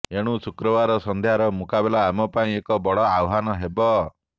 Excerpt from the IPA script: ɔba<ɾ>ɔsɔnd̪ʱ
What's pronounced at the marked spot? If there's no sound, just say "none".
ɾ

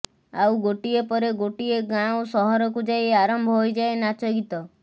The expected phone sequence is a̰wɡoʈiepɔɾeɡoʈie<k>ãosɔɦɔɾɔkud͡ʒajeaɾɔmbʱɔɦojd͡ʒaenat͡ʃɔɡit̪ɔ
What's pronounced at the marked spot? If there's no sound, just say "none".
ɡ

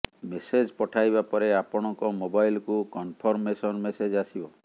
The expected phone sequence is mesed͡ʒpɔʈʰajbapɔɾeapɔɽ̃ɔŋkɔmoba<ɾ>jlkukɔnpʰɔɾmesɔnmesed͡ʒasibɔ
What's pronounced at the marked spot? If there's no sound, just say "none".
none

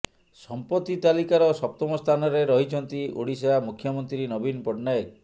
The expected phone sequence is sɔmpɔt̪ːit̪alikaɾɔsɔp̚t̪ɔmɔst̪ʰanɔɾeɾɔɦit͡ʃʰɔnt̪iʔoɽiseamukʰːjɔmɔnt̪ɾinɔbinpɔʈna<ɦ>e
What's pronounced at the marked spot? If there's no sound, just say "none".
none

